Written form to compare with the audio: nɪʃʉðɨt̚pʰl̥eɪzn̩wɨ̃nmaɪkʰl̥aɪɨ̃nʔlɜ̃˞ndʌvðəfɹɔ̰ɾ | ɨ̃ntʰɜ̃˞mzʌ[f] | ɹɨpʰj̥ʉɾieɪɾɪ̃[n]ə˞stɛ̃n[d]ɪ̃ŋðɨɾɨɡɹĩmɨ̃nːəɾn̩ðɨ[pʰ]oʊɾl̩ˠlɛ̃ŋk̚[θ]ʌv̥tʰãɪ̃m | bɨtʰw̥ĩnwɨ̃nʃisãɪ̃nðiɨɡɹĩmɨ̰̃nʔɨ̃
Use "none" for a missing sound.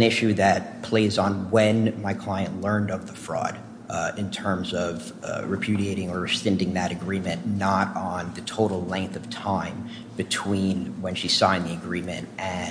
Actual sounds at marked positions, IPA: v, ŋ, d, tʰ, θ

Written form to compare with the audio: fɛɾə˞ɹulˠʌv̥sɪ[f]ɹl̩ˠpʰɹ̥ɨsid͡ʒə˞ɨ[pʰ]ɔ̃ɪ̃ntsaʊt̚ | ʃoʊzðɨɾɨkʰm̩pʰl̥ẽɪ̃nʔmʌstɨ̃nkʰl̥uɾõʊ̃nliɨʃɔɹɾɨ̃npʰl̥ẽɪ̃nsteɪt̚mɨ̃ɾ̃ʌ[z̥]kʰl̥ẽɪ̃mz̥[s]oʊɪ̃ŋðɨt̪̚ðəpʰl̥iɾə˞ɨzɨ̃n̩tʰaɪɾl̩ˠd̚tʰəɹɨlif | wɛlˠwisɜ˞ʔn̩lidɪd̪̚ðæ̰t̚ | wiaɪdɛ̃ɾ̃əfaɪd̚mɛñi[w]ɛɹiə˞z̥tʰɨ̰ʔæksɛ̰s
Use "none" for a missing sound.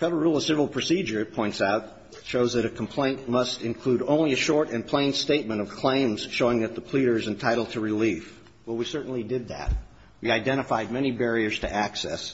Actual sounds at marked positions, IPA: v, pʰ, v̥, ʃ, b

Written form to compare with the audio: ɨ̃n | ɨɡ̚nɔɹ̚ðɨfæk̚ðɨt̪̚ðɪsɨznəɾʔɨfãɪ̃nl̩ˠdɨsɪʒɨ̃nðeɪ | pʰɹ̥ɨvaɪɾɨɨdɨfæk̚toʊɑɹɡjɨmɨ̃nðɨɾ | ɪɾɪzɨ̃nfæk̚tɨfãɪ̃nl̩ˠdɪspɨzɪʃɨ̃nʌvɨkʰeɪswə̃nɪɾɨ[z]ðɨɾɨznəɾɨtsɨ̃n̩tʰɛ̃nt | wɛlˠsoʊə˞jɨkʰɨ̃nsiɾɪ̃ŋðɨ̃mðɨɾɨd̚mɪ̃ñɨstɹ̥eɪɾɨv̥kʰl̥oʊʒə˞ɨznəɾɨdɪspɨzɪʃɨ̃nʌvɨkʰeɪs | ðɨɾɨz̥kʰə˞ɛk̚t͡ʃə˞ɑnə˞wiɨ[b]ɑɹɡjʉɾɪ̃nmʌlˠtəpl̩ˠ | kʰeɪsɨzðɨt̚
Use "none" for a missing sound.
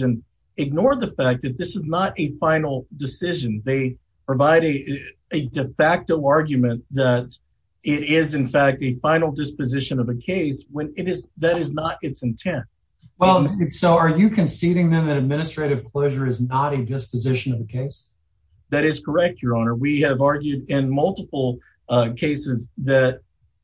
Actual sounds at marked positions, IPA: z, v

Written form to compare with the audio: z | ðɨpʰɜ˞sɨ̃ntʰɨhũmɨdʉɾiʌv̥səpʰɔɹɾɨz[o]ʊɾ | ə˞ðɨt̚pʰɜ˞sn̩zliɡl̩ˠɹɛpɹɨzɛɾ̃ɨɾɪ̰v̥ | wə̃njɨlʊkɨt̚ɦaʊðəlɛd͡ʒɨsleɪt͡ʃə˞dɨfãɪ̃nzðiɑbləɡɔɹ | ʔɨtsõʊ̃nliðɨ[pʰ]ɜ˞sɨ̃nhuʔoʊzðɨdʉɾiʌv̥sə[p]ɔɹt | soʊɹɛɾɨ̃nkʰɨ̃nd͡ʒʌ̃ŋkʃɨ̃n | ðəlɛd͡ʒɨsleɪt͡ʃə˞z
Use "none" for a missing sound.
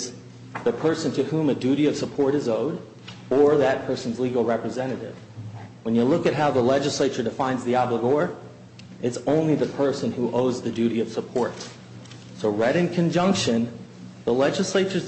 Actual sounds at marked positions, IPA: o, pʰ, pʰ

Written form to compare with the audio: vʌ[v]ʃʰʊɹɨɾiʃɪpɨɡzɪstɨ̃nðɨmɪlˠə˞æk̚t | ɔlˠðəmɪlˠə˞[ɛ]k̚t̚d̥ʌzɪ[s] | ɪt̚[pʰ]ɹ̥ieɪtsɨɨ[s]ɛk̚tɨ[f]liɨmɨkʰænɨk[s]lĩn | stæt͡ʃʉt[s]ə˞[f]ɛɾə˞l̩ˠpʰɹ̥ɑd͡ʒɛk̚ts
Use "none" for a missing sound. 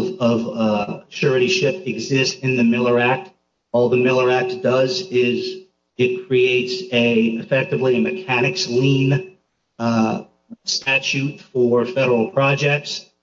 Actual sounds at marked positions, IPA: v, æ, z, kʰ, f, v, s, f, f

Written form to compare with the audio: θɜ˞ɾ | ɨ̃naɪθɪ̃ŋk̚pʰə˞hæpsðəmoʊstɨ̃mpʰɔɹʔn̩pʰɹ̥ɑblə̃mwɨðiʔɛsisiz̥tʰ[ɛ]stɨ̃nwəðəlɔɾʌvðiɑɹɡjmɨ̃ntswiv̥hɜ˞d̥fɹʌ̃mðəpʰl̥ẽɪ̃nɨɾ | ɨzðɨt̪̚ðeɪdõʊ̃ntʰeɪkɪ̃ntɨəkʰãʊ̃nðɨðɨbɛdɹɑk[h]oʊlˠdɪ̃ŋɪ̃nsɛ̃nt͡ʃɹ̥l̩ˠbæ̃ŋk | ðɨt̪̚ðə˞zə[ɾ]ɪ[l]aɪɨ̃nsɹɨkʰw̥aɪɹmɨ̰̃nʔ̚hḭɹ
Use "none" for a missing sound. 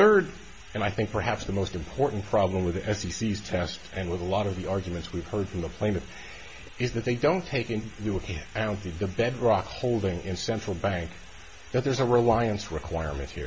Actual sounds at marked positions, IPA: ɛ, h, ɹ, l

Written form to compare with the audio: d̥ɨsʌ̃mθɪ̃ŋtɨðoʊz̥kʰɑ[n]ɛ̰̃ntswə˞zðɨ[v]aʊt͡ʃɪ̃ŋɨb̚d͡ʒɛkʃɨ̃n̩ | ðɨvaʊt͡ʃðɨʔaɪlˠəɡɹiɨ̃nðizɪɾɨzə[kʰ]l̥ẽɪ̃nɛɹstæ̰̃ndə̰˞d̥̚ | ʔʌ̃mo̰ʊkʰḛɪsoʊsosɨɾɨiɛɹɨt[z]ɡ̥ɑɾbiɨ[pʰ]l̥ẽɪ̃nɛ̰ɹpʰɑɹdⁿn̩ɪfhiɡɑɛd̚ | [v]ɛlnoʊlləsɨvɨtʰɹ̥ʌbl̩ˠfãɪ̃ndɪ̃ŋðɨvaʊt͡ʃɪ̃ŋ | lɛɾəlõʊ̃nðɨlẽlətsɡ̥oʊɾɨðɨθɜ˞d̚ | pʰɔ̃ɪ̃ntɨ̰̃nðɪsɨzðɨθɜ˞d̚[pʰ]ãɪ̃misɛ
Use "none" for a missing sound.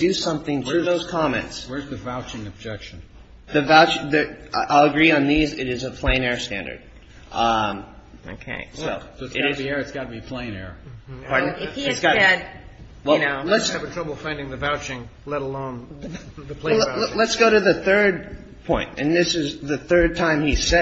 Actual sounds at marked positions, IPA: m, v, pʰ, s, pʰ, w, tʰ

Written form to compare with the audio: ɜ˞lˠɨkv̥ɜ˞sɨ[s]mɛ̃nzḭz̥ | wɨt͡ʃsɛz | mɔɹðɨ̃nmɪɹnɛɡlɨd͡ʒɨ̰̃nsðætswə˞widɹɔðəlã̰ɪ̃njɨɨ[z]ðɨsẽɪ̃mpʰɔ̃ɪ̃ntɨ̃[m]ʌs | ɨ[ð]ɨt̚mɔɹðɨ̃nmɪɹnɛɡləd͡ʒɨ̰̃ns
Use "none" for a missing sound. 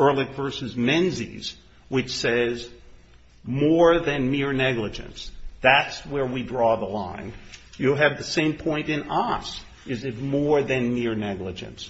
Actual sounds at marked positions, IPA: z, v, n, z

